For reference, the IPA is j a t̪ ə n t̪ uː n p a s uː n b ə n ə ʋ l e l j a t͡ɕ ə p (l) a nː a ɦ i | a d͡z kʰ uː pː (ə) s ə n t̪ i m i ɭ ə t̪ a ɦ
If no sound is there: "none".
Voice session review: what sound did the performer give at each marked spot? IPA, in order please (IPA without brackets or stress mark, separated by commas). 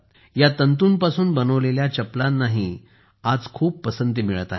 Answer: l, ə